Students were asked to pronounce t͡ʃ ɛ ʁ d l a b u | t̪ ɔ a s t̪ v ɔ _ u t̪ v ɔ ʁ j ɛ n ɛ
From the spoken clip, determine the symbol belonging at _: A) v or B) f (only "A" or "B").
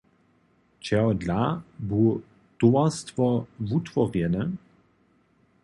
A